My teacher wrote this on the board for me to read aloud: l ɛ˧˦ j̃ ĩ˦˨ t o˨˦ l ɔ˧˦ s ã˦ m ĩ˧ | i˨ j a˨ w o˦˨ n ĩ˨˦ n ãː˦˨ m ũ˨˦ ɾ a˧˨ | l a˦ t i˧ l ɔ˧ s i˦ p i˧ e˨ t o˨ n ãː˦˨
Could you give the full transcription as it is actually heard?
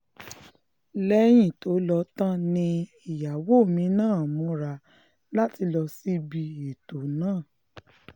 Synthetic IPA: l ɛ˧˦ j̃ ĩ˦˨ t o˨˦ l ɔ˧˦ t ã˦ n ĩ˧ | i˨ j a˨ w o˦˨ m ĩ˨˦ n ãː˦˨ m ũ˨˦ ɾ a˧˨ | l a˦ t i˧ l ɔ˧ s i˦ b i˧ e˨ t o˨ n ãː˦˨